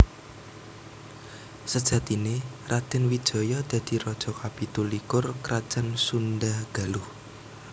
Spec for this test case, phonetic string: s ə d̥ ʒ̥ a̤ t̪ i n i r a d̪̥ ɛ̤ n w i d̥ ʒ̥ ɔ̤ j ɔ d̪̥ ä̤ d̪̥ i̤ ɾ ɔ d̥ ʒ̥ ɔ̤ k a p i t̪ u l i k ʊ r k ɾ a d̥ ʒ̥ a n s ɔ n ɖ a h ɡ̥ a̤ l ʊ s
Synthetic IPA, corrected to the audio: s ə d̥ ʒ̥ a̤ t̪ i n e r a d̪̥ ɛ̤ n w i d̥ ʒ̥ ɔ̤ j ɔ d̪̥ ä̤ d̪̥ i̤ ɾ ɔ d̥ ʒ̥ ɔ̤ k a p i t̪ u l i k ʊ r k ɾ a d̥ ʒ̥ a n s u n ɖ a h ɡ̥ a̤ l ʊ h